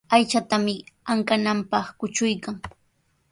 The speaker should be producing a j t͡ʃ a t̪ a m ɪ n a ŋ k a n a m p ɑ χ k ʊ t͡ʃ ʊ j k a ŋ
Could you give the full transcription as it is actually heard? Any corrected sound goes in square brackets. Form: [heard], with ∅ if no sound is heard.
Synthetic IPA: a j t͡ʃ a t̪ a m ɪ [∅] a ŋ k a n a m p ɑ χ k ʊ t͡ʃ ʊ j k a ŋ